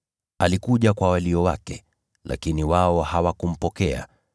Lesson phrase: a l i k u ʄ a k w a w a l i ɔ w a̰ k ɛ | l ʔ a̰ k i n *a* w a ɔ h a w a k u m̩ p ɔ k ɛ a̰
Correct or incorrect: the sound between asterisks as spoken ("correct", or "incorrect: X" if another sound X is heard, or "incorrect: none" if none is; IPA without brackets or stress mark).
incorrect: i